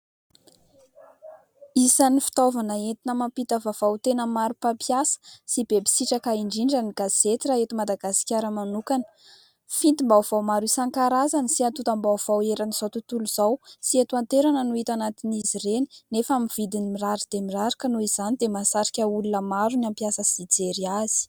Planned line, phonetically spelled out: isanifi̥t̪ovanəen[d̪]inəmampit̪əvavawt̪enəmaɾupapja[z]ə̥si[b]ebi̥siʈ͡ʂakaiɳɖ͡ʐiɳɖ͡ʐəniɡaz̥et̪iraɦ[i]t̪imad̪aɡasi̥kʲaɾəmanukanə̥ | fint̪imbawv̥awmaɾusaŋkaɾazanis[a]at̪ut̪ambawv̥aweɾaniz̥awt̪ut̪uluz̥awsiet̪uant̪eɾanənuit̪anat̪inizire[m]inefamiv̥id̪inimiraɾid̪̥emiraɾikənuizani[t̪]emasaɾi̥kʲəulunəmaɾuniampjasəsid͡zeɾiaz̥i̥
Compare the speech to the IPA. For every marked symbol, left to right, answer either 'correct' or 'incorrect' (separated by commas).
incorrect, incorrect, correct, incorrect, incorrect, incorrect, incorrect